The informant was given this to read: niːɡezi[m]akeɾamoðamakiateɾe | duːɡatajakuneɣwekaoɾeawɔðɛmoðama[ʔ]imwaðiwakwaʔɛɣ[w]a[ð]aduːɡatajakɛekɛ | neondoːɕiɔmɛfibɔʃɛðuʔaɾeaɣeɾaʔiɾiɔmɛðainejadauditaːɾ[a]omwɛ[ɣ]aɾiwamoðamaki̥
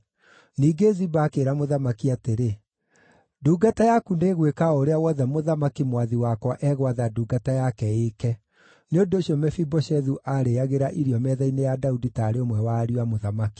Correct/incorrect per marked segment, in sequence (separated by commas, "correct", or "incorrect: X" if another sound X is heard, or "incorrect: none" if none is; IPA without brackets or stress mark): incorrect: b, incorrect: k, correct, correct, incorrect: e, incorrect: w